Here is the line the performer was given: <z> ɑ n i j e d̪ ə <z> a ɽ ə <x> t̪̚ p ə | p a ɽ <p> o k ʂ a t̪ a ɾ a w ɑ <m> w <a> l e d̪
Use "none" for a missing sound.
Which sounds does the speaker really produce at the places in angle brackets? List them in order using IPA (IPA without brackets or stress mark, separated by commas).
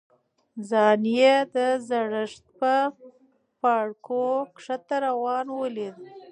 z, z, ʂ, k, n, ə